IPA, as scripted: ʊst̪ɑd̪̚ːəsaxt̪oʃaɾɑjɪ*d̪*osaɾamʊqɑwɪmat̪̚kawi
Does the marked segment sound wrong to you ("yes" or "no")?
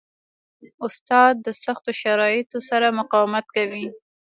yes